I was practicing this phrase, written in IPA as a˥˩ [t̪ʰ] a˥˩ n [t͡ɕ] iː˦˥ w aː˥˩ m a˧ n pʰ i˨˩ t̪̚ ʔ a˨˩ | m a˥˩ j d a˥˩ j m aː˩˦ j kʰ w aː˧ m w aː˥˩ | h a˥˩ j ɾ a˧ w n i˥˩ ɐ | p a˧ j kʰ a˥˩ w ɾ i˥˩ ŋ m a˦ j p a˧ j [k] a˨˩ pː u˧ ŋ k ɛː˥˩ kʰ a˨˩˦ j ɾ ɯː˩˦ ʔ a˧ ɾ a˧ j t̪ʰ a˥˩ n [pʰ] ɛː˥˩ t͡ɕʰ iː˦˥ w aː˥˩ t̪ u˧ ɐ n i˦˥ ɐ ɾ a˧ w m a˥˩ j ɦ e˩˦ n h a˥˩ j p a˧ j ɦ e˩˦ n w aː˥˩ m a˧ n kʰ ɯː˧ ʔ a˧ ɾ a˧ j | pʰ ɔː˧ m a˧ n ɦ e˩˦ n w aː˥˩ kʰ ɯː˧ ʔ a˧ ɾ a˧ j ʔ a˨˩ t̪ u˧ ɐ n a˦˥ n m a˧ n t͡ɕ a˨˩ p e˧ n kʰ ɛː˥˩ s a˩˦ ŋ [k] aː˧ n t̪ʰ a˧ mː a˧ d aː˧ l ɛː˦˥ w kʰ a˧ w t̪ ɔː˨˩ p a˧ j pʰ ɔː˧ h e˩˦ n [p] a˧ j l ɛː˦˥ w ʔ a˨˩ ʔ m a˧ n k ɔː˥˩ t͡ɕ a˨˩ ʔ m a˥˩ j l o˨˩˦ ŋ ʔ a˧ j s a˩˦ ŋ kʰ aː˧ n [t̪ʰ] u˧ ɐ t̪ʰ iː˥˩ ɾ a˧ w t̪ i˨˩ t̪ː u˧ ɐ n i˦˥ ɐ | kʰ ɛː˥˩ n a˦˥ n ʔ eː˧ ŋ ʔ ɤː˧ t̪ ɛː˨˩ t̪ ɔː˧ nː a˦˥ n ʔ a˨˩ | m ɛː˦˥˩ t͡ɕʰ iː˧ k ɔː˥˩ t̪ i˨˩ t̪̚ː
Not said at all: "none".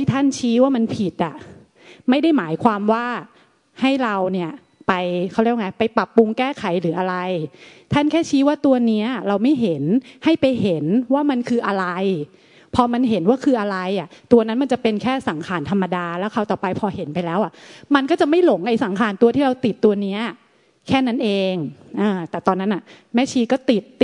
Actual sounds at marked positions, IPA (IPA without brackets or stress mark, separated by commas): t̪ʰ, t͡ɕʰ, p, kʰ, kʰ, p, t̪